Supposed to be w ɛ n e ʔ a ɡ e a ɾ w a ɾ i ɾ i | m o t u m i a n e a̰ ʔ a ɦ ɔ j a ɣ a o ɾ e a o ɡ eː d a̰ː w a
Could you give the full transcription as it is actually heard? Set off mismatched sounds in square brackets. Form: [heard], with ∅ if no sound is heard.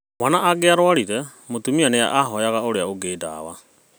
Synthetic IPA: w [a] n [a] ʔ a ɡ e a ɾ w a ɾ i ɾ [ɛ] | m o t u m i a n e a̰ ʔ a ɦ ɔ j a ɣ a o ɾ e a o ɡ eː d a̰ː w a